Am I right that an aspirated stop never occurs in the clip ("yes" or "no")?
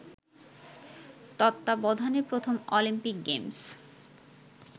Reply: no